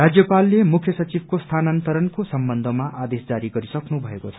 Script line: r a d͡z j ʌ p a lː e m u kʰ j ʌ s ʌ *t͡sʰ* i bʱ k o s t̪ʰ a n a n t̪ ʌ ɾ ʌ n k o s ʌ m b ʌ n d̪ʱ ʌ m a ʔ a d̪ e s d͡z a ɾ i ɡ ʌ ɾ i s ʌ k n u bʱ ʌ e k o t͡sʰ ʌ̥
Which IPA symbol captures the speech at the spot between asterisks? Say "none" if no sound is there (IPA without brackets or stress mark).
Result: t͡s